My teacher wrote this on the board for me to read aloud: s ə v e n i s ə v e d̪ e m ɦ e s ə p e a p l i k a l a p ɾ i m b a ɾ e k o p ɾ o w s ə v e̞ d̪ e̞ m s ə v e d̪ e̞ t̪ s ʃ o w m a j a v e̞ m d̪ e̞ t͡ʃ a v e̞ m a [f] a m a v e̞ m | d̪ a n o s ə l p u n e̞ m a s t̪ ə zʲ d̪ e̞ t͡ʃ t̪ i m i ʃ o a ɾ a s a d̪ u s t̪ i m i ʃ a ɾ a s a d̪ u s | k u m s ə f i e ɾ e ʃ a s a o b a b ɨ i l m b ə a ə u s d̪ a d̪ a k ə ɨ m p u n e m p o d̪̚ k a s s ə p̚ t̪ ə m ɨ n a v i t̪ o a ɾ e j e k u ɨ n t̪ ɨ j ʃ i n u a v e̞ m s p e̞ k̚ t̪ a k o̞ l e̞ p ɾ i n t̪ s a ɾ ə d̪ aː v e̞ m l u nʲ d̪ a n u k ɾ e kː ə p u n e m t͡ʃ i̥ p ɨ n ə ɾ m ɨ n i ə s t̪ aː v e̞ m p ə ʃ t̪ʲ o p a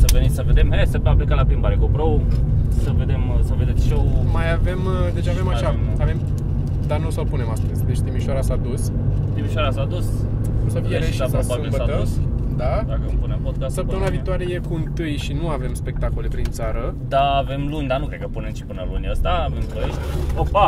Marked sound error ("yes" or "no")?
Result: yes